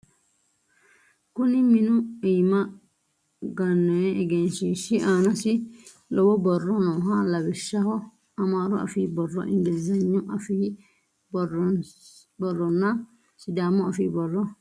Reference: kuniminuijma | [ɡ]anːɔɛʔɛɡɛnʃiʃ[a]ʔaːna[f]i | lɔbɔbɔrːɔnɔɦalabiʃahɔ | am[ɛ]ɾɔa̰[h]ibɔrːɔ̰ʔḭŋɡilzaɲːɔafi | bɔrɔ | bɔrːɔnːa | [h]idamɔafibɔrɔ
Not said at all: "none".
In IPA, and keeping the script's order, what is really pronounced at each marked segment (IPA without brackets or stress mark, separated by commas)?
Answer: ɡ, i, s, a, f, s